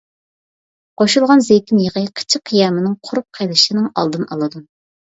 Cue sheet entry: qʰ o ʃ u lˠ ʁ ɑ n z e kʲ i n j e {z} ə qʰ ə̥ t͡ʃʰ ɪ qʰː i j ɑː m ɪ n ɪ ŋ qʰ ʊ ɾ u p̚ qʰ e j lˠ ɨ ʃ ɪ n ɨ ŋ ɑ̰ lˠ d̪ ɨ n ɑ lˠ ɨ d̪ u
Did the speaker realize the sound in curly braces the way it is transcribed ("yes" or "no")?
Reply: no